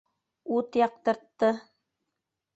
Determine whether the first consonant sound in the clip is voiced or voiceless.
voiceless